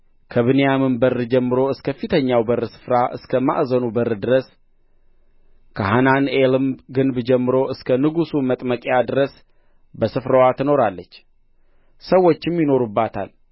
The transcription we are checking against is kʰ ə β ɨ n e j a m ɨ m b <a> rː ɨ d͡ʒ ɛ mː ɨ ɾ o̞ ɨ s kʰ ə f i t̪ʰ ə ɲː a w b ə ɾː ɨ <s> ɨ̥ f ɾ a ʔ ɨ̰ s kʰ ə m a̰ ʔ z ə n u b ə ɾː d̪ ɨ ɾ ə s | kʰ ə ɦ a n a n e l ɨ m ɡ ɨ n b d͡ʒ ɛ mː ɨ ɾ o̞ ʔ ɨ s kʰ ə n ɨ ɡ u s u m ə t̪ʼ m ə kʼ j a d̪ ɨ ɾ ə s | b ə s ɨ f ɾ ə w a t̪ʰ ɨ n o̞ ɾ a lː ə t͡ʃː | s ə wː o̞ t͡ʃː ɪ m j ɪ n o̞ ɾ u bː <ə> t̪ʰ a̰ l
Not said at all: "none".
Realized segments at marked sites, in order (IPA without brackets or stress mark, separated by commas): ə, s, a